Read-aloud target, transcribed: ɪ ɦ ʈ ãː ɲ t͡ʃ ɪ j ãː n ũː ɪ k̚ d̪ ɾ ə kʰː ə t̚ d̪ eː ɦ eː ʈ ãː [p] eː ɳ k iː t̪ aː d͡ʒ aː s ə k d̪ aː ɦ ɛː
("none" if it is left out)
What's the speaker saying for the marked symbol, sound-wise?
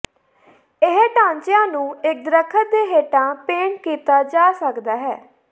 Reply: p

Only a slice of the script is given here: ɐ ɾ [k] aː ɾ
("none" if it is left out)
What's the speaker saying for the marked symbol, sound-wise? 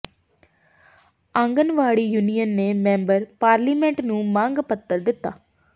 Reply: p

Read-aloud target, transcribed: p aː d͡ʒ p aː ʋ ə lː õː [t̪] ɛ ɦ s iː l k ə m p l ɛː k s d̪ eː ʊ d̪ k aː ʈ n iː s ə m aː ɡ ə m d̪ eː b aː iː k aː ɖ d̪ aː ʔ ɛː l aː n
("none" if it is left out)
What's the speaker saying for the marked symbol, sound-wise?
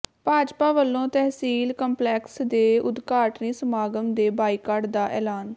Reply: t̪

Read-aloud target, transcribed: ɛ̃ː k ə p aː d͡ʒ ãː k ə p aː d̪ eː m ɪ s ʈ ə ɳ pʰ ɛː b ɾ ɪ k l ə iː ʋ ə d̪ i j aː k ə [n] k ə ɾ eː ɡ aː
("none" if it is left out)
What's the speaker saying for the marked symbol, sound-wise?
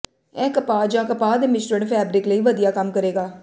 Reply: m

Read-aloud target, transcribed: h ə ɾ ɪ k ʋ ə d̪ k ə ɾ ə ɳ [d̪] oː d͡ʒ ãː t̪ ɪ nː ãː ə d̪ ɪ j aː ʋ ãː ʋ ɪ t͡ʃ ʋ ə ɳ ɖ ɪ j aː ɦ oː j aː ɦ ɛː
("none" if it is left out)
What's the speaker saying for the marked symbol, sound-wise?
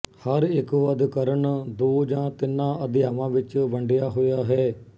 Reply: d̪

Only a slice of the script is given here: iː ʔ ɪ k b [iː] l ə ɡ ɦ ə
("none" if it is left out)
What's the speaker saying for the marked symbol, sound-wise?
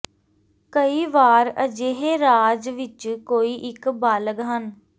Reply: aː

